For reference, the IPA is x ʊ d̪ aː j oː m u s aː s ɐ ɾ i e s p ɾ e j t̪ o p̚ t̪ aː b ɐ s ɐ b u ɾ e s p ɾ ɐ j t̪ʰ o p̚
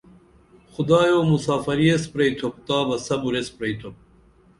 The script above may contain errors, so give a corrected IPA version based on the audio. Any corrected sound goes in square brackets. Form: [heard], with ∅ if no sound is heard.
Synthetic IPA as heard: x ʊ d̪ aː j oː m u s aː [f] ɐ ɾ i e s p ɾ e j [t̪ʰ] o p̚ t̪ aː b ɐ s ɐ b u ɾ e s p ɾ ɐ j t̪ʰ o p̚